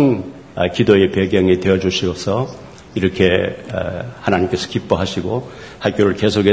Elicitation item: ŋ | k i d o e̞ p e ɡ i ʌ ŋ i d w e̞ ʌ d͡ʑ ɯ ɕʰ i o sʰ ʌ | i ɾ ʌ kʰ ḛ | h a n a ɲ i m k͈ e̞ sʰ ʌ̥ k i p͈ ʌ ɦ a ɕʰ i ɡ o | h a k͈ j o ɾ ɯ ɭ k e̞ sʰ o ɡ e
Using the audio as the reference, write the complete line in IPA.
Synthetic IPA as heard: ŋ | k i d o e̞ p e ɡ j ʌ ŋ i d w e̞ ʌ d͡ʑ u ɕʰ i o sʰ ʌ | i ɾ ʌ kʰ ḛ | h a n a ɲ i m k͈ e̞ sʰ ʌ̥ k i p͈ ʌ ɦ a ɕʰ i ɡ o | h a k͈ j o ɾ ɯ ɭ k e̞ sʰ o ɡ e